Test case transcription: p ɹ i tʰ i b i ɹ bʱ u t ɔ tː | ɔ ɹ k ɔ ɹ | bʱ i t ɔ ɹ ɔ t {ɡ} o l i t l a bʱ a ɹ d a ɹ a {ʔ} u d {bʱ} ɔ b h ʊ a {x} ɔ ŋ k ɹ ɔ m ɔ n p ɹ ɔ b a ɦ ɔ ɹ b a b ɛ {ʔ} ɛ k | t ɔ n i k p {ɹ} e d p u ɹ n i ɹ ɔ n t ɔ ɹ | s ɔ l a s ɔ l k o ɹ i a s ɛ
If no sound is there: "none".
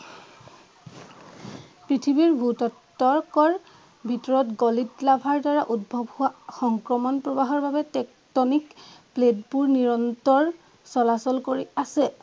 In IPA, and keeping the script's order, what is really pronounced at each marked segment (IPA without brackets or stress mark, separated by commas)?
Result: ɡ, ʔ, bʱ, x, t, l